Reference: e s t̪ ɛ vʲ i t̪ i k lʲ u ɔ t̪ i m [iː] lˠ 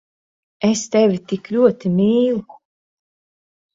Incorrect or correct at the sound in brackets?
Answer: correct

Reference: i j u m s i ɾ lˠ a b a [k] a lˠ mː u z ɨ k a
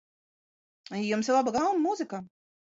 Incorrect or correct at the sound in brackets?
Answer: incorrect: ɡ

